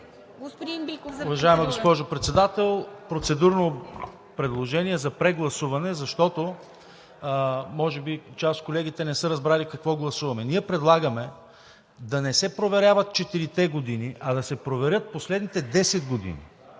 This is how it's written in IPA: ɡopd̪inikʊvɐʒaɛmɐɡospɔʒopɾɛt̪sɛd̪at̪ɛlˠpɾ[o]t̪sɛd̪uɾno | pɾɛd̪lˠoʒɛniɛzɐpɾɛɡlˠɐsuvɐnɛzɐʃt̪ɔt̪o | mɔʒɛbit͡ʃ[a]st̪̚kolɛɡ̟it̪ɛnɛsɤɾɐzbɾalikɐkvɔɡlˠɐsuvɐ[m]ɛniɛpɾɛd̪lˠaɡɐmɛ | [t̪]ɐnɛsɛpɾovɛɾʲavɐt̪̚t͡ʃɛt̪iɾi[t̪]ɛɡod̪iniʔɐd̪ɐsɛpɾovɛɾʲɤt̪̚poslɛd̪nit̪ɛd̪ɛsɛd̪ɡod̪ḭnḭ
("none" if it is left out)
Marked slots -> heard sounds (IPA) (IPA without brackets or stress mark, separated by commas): o, a, m, d̪, t̪